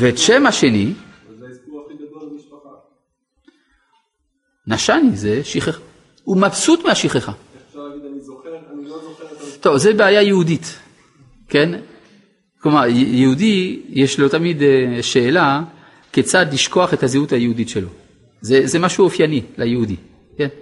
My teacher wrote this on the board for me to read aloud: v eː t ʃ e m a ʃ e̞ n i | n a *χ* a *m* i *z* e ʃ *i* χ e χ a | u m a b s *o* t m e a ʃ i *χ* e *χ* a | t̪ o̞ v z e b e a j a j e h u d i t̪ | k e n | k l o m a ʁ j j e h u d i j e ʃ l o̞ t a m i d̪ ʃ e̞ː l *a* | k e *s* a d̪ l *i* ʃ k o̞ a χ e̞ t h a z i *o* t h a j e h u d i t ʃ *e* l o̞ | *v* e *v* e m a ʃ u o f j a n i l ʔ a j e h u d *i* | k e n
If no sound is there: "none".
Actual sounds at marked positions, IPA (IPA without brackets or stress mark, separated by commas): ʃ, n, z, i, u, χ, χ, a, t͡s, i, u, e, z, z, i